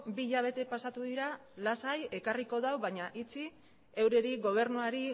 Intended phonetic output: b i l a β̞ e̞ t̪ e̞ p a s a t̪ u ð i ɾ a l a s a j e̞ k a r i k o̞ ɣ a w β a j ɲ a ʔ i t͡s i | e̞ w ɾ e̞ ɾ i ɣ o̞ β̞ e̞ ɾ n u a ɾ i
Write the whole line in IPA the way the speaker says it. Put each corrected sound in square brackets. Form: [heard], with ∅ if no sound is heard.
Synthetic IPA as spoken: b i [ʎ] a β̞ e̞ t̪ e̞ p a s a t̪ u ð i ɾ a l a s a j e̞ k a r i k o̞ [ð] a w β a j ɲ a ʔ i t͡s i | e̞ w ɾ e̞ ɾ i ɣ o̞ β̞ e̞ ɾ n u a ɾ i